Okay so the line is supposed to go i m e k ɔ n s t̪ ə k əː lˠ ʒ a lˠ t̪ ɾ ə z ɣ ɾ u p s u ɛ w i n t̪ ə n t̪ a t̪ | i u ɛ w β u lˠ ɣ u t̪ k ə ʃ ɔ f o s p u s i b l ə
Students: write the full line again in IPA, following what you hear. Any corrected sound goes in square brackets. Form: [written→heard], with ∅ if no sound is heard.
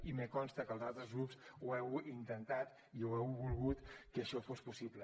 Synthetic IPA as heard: i m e k ɔ n s t̪ ə k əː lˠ [ʒ→z] a lˠ t̪ ɾ ə z ɣ ɾ u p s u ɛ w i n t̪ ə n t̪ a t̪ | i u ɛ w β u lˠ ɣ u t̪ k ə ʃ ɔ f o s p u s i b l ə